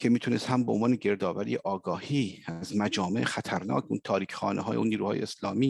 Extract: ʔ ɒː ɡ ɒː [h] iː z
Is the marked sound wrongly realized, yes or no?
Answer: no